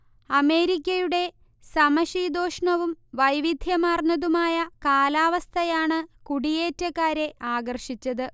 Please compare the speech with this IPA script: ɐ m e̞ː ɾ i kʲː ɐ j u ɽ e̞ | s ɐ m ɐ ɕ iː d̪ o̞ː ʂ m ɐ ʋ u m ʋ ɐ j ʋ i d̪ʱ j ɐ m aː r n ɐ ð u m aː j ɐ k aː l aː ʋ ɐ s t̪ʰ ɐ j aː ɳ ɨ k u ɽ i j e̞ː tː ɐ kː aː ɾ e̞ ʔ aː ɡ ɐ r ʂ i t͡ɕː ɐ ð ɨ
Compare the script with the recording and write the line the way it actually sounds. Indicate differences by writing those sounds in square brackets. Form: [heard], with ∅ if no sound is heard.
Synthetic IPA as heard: ɐ m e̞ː ɾ i kʲː ɐ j u ɽ e̞ | s ɐ m ɐ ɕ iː d̪ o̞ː ʂ [ɳ] ɐ ʋ u m ʋ ɐ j ʋ i d̪ʱ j ɐ m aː r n ɐ ð u m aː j ɐ k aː l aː ʋ ɐ s t̪ʰ ɐ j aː ɳ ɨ k u ɽ i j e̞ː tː ɐ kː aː ɾ e̞ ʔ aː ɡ ɐ r ʂ i t͡ɕː ɐ ð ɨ